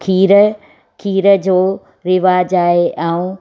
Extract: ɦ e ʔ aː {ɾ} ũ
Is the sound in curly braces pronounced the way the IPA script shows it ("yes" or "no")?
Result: no